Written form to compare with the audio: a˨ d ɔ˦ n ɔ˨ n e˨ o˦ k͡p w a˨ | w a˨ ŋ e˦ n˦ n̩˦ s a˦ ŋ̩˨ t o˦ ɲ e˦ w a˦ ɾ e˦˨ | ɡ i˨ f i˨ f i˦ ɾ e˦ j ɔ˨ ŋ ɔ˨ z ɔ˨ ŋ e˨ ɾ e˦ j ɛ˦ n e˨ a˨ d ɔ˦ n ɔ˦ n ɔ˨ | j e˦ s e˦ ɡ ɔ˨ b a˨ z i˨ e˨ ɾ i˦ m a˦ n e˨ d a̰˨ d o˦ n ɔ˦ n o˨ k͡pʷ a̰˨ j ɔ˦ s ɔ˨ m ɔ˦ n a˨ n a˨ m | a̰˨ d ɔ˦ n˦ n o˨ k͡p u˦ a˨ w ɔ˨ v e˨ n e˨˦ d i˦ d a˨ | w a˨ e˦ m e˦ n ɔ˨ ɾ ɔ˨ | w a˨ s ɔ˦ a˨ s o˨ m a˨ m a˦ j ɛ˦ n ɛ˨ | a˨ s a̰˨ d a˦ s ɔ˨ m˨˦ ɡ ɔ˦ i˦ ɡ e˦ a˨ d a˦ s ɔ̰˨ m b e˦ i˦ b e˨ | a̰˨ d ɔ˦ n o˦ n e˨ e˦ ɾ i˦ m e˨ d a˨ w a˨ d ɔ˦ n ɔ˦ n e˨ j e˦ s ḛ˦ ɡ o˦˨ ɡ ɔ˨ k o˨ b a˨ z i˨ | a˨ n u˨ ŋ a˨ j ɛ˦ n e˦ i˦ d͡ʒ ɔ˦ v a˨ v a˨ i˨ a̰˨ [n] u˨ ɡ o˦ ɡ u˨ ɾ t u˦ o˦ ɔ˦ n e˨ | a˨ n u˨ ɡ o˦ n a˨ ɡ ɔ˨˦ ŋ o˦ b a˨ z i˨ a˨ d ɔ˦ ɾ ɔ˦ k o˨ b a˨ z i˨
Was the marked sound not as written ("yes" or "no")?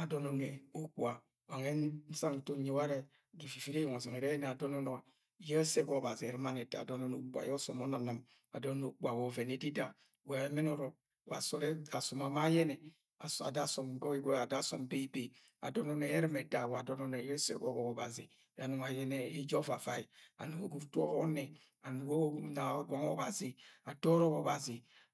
no